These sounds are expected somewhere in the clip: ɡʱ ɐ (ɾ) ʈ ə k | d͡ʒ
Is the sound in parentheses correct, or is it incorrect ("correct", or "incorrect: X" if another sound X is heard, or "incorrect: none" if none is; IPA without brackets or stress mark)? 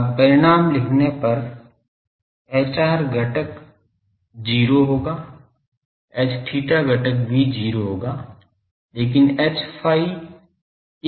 incorrect: none